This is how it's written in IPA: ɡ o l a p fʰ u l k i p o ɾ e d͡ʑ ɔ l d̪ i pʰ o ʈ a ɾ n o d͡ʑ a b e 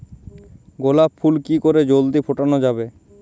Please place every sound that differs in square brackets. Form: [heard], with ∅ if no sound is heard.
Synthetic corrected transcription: ɡ o l a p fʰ u l k i [k] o ɾ e d͡ʑ [o] l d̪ i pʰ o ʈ a [∅] n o d͡ʑ a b e